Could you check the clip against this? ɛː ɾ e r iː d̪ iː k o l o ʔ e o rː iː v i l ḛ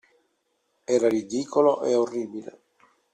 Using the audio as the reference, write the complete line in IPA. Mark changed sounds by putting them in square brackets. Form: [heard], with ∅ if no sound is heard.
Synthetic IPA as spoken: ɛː ɾ [a] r [i] d̪ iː k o l o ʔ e o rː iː [b] i l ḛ